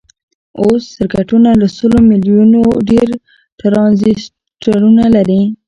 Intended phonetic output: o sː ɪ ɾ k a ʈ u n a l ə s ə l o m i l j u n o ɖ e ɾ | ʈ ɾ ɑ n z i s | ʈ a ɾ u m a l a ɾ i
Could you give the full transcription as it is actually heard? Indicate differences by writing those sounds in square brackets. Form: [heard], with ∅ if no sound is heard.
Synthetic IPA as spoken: o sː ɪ ɾ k a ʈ u n a l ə s ə l o m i l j u n o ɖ e ɾ | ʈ ɾ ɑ n z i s | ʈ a ɾ u [n] a l a ɾ i

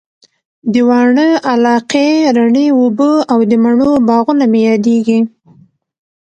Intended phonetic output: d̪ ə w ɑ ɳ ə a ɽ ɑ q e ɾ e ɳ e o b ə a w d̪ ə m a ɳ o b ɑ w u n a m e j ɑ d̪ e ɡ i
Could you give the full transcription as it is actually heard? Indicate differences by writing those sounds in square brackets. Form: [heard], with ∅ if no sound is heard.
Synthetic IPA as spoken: d̪ ə w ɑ ɳ ə a [l] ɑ q e ɾ [a] ɳ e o b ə a w d̪ ə m a ɳ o b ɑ [ɣ] u n a m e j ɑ d̪ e ɡ i

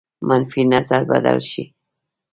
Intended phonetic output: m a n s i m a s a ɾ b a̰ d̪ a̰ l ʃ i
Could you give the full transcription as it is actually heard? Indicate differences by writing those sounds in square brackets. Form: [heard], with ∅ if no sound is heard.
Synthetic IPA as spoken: m a n [f] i [n] a [z] a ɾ b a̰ d̪ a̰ l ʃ i

